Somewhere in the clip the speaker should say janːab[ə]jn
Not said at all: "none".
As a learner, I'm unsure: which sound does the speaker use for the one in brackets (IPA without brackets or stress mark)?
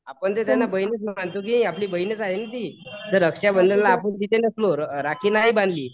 ə